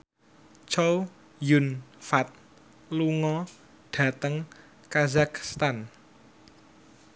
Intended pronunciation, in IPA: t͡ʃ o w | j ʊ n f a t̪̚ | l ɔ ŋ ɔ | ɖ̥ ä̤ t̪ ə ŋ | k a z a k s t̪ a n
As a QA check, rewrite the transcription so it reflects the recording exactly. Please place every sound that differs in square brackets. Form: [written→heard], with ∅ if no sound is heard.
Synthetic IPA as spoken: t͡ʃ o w | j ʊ n f a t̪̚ | l [ɔ→u] ŋ ɔ | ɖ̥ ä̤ t̪ ə ŋ | k a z a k s t̪ a n